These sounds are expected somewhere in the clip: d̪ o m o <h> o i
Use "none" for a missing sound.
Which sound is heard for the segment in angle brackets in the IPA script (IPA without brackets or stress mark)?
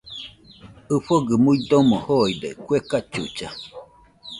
h